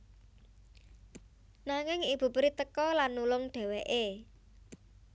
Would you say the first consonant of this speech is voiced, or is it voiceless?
voiced